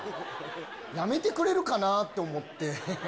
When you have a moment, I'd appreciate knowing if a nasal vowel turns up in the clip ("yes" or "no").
no